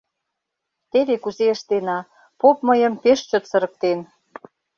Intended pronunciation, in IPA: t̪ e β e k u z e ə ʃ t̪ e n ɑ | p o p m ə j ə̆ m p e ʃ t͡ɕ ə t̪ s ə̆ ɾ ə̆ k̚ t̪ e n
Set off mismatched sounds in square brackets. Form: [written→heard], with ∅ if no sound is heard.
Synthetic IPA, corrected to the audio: t̪ e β e k u z e ə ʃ t̪ e n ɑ | p o p m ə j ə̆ m p e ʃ t͡ɕ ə t̪ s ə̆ ɾ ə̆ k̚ t̪ e n